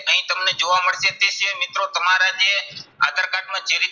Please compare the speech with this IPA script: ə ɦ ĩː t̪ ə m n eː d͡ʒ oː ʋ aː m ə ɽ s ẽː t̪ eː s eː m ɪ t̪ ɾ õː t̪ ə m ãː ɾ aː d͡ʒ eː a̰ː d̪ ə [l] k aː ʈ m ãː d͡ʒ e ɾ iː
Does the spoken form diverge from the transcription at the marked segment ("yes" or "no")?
yes